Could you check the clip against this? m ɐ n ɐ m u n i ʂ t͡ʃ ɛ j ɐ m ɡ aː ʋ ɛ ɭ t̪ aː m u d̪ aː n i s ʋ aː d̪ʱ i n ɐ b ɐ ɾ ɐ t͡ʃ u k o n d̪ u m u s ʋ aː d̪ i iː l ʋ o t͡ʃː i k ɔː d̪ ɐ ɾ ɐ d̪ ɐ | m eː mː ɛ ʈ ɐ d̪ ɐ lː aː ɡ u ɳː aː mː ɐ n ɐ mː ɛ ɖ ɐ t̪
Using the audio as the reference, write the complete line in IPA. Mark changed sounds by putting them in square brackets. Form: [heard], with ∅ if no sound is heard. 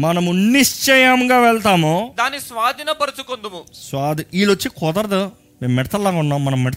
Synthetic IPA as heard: m ɐ n ɐ m u n i ʂ t͡ʃ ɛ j ɐ m ɡ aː ʋ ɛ ɭ t̪ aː m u d̪ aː n i s ʋ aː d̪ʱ i n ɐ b ɐ ɾ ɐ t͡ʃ u k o n d̪ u m u s ʋ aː d̪ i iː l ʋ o t͡ʃː i k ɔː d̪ ɐ ɾ ɐ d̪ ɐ | m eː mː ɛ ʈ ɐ [t̪] ɐ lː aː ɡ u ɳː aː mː ɐ n ɐ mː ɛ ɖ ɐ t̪